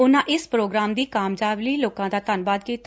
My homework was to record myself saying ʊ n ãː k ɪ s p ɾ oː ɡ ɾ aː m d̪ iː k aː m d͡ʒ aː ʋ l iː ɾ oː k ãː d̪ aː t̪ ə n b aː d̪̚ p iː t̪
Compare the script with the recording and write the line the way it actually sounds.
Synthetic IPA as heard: ʊ n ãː ʔ ɪ s p ɾ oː ɡ ɾ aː m d̪ iː k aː m d͡ʒ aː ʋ l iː l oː k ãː d̪ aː t̪ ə n b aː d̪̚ k iː t̪